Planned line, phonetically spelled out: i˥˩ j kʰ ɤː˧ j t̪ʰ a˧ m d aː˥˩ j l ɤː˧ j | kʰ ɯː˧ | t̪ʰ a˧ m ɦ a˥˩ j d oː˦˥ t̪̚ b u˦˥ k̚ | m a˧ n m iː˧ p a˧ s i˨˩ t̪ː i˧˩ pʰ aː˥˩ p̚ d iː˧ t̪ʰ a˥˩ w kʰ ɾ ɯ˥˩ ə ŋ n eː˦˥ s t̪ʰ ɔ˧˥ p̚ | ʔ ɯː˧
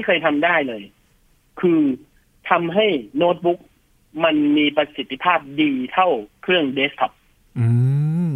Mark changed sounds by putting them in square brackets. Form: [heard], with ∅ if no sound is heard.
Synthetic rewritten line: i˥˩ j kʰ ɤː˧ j t̪ʰ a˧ m d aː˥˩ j l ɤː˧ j | kʰ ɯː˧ | t̪ʰ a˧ m ɦ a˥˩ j [n] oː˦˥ t̪̚ b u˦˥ k̚ | m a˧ n m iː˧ p a˧ s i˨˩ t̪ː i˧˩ pʰ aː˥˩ p̚ d iː˧ t̪ʰ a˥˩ w kʰ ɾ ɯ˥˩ ə ŋ [d] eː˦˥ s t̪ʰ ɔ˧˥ p̚ | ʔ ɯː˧